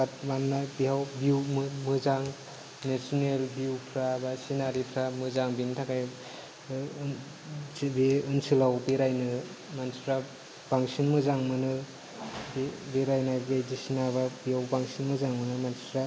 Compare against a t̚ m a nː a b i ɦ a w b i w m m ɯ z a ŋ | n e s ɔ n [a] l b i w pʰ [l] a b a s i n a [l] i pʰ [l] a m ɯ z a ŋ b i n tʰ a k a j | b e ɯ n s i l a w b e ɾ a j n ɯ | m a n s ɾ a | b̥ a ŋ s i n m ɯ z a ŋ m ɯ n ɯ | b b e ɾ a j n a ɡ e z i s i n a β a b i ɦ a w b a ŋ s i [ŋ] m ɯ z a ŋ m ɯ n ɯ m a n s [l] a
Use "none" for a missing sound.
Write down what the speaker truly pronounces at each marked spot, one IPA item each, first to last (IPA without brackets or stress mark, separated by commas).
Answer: e, ɾ, ɾ, ɾ, n, ɾ